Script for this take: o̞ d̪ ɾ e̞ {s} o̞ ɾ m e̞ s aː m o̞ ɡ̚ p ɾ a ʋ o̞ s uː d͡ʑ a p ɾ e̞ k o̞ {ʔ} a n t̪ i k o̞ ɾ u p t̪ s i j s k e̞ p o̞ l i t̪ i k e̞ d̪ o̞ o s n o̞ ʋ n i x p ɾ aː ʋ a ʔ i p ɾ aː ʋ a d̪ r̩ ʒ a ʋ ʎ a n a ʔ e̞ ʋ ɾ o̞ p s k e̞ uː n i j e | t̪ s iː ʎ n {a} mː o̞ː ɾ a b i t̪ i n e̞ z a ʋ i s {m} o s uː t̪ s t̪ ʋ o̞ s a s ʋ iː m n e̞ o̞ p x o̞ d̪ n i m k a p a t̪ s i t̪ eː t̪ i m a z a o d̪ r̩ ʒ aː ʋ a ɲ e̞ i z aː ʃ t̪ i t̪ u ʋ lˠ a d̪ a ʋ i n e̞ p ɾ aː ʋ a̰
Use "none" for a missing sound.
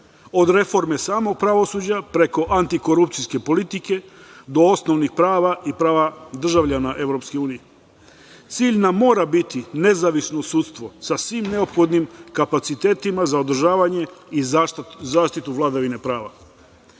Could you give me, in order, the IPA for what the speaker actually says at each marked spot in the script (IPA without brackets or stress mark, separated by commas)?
f, ʔ, a, n